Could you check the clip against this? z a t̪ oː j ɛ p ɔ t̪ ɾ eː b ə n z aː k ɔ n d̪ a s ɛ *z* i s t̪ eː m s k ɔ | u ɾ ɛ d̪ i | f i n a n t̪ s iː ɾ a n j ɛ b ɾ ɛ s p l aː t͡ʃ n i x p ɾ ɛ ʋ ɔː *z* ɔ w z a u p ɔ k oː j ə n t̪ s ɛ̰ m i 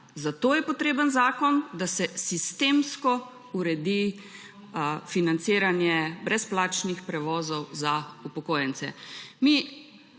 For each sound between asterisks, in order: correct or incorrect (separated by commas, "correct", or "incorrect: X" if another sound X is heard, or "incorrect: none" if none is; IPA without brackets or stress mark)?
incorrect: s, correct